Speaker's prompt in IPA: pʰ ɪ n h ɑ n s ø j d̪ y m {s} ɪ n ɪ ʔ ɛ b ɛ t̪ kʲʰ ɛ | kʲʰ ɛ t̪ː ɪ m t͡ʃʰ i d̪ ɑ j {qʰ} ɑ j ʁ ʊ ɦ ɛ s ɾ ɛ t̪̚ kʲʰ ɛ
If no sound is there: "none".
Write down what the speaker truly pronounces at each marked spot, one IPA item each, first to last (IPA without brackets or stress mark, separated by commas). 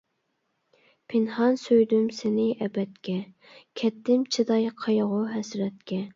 s, qʰ